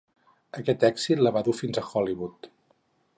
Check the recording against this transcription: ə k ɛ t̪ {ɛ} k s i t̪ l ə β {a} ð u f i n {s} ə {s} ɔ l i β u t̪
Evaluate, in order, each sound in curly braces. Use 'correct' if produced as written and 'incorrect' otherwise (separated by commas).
correct, correct, incorrect, incorrect